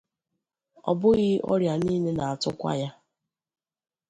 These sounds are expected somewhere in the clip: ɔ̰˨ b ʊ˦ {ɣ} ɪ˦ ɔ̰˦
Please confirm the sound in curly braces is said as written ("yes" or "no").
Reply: yes